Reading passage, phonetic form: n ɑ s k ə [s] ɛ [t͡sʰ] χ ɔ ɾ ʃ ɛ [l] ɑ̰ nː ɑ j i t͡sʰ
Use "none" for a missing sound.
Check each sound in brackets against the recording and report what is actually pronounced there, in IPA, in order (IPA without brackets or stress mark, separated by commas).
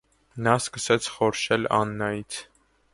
s, t͡sʰ, l